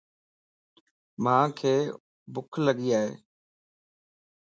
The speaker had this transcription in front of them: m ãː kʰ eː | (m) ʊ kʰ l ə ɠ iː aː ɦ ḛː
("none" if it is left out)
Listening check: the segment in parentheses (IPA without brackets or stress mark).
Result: b